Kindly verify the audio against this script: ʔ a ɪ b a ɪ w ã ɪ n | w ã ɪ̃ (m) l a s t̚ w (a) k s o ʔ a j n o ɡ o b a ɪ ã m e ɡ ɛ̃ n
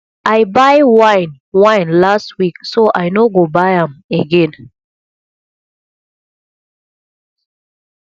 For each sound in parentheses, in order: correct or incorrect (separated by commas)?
incorrect, incorrect